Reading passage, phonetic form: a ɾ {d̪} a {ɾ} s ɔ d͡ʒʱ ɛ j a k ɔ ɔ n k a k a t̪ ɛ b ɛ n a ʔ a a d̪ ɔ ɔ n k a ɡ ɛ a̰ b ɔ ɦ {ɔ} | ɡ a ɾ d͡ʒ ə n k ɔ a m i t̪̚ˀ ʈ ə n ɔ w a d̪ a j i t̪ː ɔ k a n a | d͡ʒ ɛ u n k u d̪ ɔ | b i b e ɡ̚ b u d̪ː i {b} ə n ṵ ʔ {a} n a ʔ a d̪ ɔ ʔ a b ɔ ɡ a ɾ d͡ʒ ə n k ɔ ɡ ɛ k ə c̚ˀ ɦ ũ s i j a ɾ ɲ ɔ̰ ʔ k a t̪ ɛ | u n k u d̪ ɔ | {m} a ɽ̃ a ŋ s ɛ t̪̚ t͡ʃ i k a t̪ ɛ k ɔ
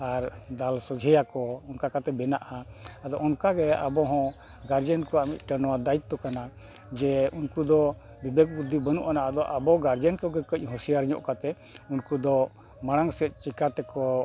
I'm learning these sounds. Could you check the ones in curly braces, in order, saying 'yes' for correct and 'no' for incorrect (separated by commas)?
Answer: yes, no, no, yes, yes, yes